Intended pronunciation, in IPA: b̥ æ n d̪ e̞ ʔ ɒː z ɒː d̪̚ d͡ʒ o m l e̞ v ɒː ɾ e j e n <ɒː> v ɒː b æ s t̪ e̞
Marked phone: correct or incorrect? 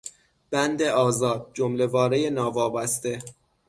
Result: correct